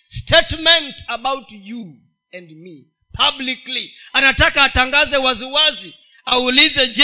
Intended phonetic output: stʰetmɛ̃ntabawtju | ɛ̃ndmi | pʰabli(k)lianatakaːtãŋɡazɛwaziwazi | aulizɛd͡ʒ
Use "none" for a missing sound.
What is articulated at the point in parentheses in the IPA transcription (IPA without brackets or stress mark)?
k